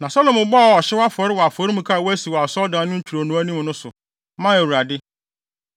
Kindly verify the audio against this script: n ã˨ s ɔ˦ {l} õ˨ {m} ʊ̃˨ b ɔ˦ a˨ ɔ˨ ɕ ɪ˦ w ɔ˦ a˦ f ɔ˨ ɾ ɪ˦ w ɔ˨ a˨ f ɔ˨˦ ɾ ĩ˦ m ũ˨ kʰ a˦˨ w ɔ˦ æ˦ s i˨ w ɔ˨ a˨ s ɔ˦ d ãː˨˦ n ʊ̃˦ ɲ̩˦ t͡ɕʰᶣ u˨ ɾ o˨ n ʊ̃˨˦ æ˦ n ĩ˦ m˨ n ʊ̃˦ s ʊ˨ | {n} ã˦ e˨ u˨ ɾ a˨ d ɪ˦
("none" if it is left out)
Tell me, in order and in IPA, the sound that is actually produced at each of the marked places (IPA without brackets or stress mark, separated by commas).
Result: l, m, m